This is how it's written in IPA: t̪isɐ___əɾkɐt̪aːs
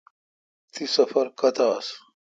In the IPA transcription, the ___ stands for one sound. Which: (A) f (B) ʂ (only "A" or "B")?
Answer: A